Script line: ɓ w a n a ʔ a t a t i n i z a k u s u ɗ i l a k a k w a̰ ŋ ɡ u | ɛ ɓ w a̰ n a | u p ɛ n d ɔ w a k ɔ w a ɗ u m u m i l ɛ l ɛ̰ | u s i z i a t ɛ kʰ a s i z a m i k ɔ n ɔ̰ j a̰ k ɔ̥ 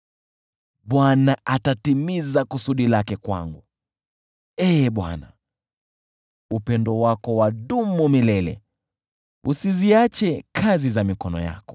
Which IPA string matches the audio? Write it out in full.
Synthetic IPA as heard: ɓ w a n a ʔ a t a t i m i z a k u s u ɗ i l a k ɛ k w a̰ ŋ ɡ u | ɛ ɓ w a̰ n a | u p ɛ n d ɔ w a k ɔ w a ɗ u m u m i l ɛ l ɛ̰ | u s i z i a t͡ʃ ɛ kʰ a z i z a m i k ɔ n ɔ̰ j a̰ k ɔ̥